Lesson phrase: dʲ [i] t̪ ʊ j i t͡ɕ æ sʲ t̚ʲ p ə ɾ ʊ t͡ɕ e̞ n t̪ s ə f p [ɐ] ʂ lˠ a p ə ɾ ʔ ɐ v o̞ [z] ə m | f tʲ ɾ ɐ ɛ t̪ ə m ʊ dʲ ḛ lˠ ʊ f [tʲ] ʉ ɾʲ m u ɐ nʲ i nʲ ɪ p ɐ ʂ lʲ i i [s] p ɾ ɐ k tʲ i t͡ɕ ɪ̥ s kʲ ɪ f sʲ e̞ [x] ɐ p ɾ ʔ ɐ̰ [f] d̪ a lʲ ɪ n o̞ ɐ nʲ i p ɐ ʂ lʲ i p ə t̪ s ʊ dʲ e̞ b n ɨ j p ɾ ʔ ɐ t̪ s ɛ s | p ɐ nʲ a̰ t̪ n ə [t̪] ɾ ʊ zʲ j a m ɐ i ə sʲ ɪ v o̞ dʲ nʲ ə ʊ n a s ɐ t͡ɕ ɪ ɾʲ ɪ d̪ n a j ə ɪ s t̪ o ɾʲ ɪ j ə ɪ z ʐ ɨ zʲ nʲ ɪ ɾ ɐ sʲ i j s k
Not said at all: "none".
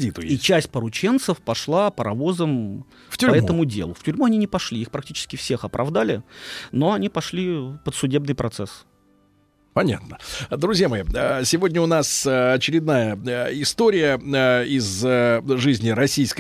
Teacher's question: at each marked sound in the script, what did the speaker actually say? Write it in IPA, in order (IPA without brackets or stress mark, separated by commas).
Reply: i, ɐ, z, tʲ, x, x, v, d̪